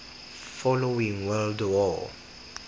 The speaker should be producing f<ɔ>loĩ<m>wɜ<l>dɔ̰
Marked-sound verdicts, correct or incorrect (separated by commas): correct, incorrect, correct